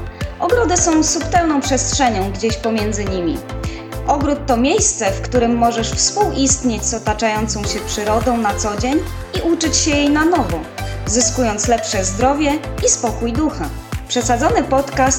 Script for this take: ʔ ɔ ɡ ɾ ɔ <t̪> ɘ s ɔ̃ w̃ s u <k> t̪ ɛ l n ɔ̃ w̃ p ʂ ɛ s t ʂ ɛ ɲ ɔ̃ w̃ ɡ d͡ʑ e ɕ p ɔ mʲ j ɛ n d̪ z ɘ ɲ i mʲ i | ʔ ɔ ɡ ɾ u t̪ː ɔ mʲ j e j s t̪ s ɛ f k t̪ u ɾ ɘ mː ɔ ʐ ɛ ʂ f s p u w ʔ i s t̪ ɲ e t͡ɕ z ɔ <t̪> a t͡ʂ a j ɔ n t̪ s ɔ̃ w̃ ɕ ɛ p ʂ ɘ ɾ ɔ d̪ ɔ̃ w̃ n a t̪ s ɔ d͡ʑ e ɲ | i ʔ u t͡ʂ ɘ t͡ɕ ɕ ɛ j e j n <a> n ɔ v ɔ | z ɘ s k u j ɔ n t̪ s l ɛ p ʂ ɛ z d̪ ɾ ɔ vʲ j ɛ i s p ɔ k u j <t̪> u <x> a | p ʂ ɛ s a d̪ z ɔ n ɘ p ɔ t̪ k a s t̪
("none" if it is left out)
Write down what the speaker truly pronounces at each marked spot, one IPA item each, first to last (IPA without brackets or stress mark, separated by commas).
d̪, p, t̪, a, d̪, x